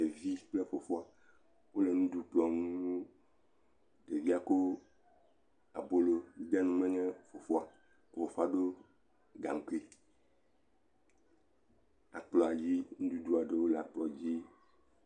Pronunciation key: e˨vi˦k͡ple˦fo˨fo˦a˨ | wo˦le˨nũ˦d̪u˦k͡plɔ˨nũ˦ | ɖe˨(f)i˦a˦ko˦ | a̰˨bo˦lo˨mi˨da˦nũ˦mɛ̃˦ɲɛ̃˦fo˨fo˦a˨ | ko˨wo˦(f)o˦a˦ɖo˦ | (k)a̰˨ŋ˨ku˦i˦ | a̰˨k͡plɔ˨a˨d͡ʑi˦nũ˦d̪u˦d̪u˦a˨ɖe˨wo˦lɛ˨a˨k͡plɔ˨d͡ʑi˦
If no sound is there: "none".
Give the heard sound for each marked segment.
v, f, ɡ

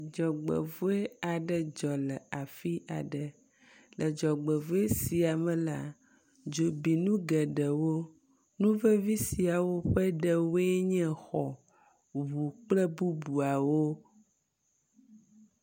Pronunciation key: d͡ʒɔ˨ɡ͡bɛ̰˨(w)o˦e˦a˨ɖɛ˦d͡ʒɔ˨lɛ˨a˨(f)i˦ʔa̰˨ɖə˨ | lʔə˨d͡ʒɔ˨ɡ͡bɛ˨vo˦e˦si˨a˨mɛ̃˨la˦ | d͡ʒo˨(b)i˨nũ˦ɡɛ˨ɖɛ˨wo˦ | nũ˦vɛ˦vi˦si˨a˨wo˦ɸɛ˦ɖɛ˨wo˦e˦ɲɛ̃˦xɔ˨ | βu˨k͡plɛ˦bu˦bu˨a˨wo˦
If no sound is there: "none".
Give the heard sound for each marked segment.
v, f, b

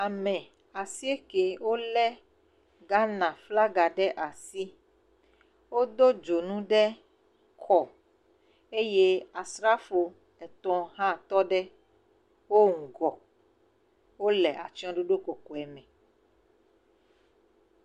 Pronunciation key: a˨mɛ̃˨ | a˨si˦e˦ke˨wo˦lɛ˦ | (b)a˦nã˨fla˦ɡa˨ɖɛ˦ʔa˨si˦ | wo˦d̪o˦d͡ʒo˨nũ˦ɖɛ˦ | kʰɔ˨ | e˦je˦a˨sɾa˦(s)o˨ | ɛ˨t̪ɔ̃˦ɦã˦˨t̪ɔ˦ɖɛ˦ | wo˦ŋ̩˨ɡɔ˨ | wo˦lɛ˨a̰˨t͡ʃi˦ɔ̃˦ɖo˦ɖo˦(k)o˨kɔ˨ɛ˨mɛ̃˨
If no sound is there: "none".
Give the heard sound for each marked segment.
ɡ, f, k

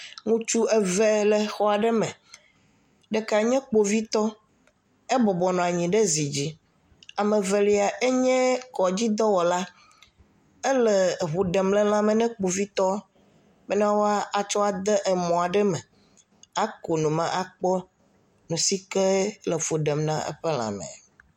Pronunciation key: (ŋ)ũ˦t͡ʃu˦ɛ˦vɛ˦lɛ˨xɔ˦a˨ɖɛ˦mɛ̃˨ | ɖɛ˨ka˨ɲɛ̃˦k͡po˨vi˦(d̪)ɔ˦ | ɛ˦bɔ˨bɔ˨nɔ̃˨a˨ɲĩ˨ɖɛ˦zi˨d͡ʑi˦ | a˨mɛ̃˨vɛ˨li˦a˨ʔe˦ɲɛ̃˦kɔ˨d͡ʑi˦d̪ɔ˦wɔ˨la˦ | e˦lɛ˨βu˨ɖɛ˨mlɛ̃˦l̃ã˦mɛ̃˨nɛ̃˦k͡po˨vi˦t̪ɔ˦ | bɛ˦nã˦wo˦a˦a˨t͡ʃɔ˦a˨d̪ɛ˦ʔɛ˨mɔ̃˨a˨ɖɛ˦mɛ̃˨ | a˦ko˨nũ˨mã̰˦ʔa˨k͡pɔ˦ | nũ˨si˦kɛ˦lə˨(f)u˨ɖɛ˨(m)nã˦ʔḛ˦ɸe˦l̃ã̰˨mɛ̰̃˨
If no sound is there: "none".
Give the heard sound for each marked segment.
ŋ, t̪, f, m

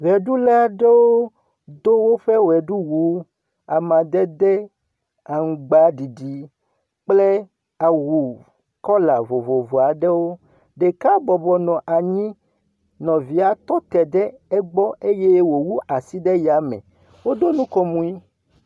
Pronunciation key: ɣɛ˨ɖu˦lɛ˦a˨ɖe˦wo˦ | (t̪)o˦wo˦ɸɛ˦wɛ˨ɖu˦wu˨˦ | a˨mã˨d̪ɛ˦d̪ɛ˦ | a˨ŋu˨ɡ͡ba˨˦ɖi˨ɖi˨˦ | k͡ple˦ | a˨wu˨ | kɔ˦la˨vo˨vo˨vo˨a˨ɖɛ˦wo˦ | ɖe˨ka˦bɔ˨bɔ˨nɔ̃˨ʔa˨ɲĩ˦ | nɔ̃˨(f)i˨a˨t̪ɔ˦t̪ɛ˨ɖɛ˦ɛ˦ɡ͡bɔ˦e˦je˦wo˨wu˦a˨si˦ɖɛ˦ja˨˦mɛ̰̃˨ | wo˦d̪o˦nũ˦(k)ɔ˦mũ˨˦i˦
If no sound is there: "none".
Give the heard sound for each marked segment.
d̪, v, k

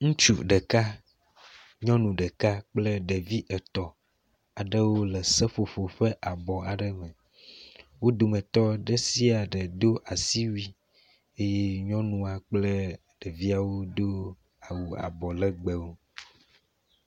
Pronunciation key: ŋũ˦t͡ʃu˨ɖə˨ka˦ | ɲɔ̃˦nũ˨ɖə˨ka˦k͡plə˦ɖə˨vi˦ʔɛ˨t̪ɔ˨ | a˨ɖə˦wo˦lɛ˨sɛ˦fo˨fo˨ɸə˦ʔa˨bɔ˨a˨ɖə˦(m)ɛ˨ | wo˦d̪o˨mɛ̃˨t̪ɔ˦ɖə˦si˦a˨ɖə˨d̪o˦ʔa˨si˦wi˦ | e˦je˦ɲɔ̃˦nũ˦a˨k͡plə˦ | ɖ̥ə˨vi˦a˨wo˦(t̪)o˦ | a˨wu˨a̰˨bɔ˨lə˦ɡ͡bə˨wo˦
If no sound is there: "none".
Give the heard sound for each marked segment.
m, d̪

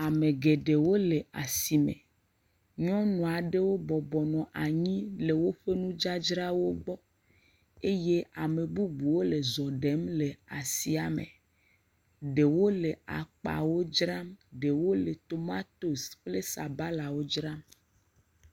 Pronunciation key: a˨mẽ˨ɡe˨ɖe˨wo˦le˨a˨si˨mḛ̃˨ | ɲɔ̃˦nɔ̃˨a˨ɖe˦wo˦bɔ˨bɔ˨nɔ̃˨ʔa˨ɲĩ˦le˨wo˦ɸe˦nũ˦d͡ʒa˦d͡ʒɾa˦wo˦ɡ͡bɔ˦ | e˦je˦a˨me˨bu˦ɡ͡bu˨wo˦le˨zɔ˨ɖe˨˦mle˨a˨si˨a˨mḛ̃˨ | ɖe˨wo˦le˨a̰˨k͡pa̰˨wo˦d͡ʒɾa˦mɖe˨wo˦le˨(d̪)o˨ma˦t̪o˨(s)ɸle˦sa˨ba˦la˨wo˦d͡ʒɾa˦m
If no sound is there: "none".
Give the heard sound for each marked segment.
t̪, s

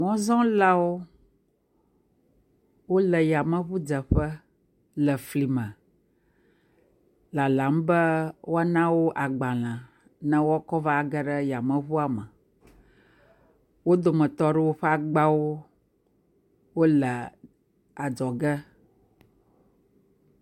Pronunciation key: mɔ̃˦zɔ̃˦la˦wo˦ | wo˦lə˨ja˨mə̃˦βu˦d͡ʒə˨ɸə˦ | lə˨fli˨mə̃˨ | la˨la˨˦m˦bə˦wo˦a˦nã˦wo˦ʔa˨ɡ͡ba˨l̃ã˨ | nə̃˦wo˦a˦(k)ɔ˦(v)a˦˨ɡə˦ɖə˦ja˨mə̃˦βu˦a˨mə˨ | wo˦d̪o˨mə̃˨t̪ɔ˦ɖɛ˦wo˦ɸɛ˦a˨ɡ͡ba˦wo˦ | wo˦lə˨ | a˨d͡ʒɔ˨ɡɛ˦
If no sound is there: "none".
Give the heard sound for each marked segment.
k, v

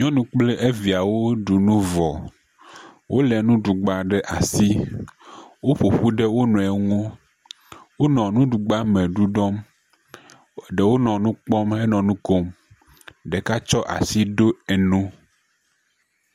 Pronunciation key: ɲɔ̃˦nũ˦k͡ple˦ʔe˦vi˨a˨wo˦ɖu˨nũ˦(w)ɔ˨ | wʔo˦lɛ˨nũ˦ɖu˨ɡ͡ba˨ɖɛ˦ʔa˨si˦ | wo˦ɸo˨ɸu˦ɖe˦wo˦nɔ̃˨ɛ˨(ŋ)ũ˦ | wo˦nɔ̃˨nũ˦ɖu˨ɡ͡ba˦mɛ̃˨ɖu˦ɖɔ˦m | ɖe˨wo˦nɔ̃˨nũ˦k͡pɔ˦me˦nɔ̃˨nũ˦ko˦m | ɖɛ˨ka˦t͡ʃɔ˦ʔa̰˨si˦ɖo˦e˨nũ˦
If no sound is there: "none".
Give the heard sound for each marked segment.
v, ŋ

